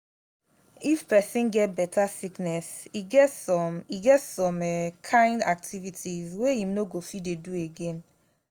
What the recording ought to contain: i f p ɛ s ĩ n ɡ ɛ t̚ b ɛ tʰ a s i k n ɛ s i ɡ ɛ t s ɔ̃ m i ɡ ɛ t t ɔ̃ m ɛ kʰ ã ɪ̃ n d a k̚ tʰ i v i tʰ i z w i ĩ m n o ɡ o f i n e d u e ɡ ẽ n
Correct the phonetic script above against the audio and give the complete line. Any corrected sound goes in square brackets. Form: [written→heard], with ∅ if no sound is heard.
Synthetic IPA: i f p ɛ s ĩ n ɡ ɛ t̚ b ɛ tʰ a s i k n ɛ s i ɡ ɛ t s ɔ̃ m i ɡ ɛ t [t→s] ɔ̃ m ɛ kʰ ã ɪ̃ n d a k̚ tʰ i v i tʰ i z w [i→e] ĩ m n o ɡ o f i [n→d] e d u e ɡ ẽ n